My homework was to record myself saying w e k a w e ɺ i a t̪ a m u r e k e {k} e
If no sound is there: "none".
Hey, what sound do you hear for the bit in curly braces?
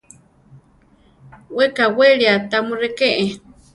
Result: ʔ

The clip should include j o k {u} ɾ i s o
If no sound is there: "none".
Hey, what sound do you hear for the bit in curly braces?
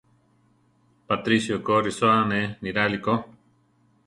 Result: o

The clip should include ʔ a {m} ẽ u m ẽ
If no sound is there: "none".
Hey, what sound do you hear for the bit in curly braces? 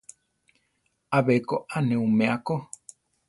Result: n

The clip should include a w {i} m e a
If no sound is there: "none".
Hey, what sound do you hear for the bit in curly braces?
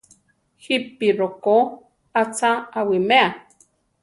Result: i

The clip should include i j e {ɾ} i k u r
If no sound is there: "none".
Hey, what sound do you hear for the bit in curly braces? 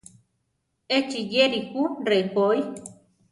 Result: ɾ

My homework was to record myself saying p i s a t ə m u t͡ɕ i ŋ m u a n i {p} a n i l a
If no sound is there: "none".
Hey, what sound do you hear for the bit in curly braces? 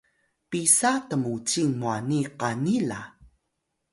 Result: q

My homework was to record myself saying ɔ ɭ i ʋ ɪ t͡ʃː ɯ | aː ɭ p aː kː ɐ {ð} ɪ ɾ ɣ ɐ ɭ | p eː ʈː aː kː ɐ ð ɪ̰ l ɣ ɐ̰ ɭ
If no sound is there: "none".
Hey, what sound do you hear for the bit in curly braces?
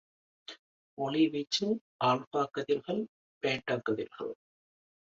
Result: ð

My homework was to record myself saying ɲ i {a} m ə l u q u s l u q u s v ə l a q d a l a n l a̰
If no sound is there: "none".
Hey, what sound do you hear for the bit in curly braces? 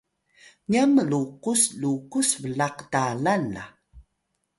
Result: a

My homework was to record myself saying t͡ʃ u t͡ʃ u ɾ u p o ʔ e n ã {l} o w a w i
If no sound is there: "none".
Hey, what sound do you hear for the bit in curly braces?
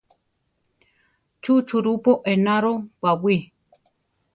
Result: ɾ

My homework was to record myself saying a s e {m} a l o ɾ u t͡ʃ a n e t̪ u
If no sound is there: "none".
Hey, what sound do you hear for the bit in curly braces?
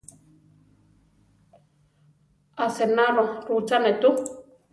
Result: n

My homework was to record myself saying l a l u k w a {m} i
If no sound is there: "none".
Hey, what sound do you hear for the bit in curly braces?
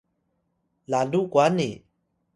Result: n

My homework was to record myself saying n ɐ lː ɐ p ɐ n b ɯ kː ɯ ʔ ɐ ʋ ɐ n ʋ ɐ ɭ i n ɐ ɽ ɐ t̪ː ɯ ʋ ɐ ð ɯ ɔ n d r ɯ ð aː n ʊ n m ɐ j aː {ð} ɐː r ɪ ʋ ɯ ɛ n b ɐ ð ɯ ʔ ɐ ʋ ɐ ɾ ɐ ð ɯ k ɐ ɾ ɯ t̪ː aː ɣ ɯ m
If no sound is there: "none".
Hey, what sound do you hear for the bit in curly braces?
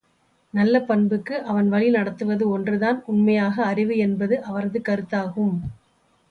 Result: ɣ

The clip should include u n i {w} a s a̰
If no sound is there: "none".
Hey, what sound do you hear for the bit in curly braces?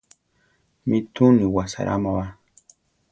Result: w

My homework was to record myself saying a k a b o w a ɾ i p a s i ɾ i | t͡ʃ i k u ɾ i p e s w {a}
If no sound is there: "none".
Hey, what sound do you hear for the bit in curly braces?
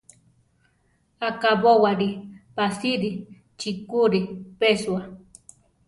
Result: a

